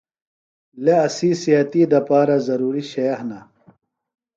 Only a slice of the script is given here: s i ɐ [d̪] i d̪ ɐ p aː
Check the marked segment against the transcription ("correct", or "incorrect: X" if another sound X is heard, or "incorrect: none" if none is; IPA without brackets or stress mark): incorrect: t̪